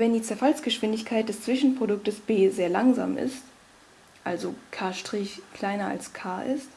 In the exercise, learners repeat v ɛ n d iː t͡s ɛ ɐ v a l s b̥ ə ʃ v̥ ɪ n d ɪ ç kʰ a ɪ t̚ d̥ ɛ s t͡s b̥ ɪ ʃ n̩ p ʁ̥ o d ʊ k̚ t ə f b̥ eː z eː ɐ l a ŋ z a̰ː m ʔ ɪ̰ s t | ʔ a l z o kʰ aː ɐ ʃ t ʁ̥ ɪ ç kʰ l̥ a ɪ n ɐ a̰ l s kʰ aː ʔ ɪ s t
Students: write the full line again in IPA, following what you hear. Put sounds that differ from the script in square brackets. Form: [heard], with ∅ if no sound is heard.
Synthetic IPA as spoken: v ɛ n d iː t͡s ɛ ɐ [f] a l s [ɡ̥] ə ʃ v̥ ɪ n d ɪ ç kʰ a ɪ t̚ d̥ ɛ s t͡s [v̥] ɪ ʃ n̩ p ʁ̥ o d ʊ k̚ t ə [s] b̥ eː z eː ɐ l a ŋ z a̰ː m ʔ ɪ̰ s t | ʔ a l z o kʰ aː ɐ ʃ t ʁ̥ ɪ ç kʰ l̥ a ɪ n ɐ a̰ l s kʰ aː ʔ ɪ s t

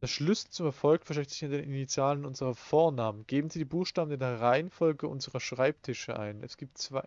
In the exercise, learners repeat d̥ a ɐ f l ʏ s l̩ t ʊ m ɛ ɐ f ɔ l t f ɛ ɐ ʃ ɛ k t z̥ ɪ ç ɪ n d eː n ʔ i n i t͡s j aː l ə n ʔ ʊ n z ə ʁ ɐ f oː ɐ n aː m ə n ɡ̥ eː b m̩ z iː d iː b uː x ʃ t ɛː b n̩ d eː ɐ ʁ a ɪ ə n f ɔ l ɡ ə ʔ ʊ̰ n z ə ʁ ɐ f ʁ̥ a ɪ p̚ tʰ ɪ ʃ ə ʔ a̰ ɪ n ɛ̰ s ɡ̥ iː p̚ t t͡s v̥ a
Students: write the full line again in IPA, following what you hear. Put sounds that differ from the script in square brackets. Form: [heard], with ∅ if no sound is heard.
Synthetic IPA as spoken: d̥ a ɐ [ʃ] l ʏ s l̩ [t͡s] ʊ m ɛ ɐ f ɔ l [k] f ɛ ɐ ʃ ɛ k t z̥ ɪ ç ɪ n d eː n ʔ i n i t͡s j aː l ə n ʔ ʊ n z ə ʁ ɐ f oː ɐ n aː m ə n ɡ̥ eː b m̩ z iː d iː b uː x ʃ t [aː] b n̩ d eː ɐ ʁ a ɪ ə n f ɔ l ɡ ə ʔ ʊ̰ n z ə ʁ ɐ [ʃ] ʁ̥ a ɪ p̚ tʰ ɪ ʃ ə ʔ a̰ ɪ n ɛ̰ s ɡ̥ iː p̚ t t͡s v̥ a

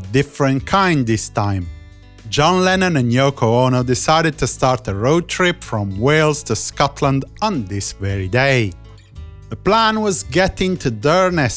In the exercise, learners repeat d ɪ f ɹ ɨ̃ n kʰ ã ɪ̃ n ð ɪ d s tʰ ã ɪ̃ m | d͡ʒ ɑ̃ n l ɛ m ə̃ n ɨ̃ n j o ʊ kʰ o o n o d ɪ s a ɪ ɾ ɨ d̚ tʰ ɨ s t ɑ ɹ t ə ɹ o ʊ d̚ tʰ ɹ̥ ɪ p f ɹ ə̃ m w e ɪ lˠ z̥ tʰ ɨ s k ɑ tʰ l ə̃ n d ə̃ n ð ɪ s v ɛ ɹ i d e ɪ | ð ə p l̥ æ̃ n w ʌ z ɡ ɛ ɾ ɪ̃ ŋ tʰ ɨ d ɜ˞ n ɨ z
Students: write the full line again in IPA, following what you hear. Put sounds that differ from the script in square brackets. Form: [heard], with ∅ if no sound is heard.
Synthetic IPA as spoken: d ɪ f ɹ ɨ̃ n kʰ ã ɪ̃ n ð ɪ [∅] s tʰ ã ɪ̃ m | d͡ʒ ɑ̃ n l ɛ [n] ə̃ n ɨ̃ n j o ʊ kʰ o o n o d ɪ s a ɪ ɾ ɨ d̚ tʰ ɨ s t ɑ ɹ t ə ɹ o ʊ d̚ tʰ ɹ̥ ɪ p f ɹ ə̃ m w e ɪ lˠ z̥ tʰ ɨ s k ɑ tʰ l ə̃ n d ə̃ n ð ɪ s v ɛ ɹ i d e ɪ | ð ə p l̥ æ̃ n w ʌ z ɡ ɛ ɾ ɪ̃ ŋ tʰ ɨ d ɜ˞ n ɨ [s]

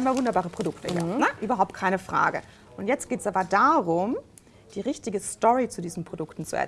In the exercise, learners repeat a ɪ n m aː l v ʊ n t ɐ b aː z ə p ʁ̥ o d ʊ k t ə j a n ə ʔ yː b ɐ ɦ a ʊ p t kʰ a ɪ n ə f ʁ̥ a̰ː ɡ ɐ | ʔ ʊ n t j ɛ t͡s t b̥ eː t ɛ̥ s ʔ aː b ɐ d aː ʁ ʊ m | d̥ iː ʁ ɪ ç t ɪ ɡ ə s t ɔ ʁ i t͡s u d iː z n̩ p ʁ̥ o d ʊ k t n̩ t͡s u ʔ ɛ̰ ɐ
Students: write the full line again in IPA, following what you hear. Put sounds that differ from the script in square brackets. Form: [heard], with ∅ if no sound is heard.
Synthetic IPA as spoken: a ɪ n m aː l v ʊ n [d] ɐ b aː [ʁ] ə p ʁ̥ o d ʊ k t ə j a n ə ʔ yː b ɐ ɦ a ʊ p t kʰ a ɪ n ə f ʁ̥ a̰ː ɡ [ə] | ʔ ʊ n t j ɛ t͡s t [ɡ̥] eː t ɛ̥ s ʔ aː b ɐ d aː ʁ ʊ m | d̥ iː ʁ ɪ ç t ɪ ɡ ə s t ɔ ʁ i t͡s u d iː z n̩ p ʁ̥ o d ʊ k t n̩ t͡s u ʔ ɛ̰ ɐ

